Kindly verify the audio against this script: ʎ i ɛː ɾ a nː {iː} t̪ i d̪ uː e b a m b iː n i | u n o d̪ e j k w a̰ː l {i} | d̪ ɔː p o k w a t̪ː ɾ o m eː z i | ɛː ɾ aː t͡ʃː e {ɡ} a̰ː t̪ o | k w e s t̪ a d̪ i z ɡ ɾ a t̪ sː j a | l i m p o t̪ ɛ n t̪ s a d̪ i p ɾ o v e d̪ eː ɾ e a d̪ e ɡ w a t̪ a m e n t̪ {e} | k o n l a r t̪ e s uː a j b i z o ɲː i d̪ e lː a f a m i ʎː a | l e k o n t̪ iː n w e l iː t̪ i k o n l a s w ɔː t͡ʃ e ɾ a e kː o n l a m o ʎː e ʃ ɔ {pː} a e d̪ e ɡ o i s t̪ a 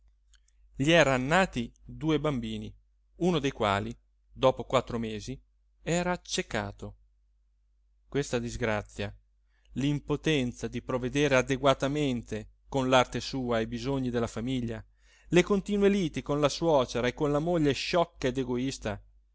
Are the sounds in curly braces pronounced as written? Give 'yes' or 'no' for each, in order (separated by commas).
no, yes, no, yes, no